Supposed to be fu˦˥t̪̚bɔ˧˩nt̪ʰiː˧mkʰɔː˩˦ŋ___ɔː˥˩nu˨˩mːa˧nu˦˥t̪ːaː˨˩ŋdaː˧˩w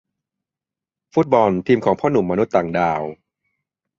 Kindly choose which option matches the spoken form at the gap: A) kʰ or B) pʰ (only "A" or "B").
B